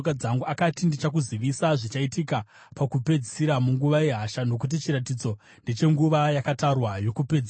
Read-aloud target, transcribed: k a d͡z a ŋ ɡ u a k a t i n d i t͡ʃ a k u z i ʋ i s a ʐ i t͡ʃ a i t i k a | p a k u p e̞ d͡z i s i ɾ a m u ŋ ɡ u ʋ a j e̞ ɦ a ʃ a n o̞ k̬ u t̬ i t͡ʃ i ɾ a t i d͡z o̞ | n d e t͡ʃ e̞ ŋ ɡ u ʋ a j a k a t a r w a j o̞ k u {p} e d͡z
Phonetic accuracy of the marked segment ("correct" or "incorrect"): correct